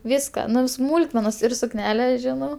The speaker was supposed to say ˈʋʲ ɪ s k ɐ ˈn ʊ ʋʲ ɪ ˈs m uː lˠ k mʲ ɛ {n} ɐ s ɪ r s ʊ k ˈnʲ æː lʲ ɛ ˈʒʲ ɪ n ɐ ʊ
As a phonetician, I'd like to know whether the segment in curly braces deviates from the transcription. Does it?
no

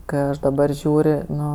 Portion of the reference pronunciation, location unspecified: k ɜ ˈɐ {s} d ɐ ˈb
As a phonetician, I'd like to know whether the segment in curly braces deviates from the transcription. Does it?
yes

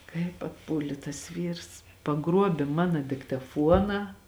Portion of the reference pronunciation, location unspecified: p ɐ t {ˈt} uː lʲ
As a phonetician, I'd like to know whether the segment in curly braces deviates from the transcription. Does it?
yes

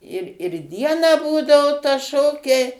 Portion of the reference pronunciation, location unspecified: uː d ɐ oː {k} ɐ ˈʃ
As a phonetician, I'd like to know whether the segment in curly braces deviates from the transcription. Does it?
yes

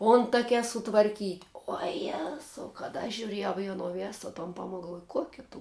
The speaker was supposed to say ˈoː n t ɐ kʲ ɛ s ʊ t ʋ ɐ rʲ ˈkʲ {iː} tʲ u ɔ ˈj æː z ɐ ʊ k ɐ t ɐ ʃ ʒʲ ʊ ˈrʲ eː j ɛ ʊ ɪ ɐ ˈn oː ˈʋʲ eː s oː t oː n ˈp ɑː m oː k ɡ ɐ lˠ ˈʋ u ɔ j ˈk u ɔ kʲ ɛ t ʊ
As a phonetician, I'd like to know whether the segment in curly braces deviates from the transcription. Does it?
no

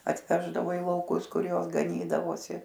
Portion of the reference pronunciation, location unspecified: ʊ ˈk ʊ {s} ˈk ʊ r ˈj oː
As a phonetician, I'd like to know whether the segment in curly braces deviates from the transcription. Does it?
no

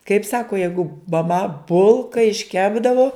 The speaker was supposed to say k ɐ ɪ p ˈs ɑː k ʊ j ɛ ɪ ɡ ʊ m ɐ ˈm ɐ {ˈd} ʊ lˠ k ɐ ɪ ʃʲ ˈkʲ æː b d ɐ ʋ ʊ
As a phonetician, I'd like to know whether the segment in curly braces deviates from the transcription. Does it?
yes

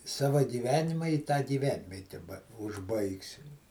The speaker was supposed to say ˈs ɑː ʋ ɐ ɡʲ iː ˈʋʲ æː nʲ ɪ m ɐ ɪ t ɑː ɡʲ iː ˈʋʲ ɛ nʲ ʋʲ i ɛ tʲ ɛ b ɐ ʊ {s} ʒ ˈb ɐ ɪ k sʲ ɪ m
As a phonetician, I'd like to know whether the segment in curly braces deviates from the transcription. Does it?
yes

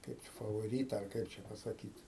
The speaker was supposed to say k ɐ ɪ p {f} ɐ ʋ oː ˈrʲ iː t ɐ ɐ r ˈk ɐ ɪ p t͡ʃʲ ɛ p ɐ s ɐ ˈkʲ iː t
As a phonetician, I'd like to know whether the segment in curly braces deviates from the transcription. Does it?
no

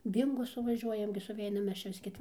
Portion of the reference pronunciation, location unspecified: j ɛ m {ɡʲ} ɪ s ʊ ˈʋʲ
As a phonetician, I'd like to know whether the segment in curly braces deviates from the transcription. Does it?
no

